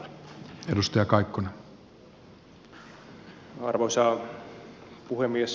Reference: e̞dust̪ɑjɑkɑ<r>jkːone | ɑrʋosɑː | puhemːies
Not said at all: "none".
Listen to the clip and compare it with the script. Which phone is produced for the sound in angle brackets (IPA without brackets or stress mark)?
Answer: none